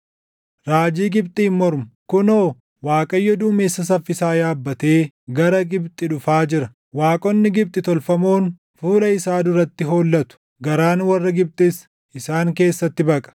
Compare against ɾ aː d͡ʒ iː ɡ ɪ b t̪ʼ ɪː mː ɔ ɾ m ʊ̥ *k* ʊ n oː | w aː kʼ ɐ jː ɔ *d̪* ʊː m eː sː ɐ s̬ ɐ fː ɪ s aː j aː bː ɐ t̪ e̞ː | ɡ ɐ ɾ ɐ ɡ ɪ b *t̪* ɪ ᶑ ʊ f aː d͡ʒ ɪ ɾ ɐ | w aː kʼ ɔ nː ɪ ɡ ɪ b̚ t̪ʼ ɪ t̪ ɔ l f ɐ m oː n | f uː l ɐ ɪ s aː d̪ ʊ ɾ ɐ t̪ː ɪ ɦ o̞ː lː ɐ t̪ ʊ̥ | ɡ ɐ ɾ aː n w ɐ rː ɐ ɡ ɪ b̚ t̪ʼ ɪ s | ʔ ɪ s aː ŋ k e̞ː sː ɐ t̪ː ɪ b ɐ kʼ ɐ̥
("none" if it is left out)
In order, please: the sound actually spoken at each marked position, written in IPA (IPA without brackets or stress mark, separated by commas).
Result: k, d̪, t̪ʼ